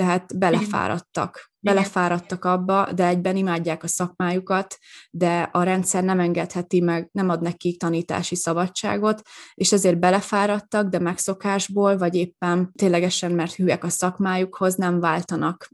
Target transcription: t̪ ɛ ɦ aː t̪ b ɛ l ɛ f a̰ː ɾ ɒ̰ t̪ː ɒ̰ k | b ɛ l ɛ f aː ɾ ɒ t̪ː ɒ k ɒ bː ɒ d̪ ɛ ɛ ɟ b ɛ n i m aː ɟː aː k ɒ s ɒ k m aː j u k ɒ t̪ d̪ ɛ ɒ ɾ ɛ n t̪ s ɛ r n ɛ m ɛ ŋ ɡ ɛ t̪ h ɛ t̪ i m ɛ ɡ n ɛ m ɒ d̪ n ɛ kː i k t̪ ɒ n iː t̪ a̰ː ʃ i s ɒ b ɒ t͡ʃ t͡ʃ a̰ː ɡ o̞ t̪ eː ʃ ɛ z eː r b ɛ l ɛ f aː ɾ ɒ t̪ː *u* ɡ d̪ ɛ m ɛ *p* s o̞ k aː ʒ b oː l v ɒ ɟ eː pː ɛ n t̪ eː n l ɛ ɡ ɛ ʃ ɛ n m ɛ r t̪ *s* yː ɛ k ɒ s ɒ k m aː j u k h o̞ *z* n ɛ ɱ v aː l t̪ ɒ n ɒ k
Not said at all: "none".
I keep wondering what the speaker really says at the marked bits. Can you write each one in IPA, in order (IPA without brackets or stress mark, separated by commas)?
ɒ, k, h, z